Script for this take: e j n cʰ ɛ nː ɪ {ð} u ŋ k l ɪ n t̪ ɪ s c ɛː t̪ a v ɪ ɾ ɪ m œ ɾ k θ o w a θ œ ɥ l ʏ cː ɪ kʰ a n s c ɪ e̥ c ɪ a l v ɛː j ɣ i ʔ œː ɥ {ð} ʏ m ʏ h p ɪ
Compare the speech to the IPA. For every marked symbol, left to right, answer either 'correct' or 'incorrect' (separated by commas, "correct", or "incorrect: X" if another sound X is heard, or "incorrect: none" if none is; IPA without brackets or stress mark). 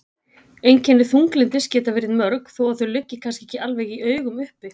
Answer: incorrect: θ, incorrect: ɣ